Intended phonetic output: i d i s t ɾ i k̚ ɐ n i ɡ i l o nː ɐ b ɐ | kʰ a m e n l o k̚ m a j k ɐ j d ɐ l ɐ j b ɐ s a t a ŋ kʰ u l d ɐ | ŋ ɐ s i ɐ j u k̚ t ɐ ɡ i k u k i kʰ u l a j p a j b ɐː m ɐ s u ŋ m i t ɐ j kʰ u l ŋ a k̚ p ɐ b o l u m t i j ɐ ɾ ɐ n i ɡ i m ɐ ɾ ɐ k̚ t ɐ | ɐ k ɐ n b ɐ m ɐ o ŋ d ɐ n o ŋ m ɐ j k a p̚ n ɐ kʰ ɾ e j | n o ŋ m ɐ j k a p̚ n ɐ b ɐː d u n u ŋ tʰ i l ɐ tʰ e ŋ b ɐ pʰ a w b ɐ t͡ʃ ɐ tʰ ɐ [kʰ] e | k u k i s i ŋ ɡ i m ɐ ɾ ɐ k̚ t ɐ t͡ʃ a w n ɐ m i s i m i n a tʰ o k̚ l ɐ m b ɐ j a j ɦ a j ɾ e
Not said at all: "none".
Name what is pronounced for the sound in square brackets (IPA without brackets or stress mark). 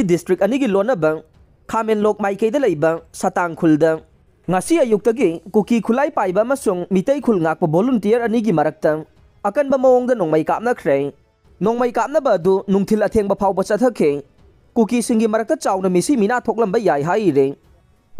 kʰ